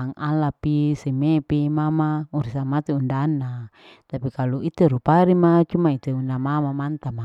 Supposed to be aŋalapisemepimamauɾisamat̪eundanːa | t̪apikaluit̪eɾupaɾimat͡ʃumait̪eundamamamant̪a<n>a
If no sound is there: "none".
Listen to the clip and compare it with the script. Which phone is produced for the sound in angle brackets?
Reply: m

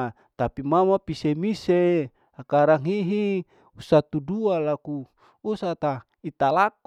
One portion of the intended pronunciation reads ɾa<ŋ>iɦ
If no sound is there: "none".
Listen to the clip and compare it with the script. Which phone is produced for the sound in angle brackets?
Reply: ŋ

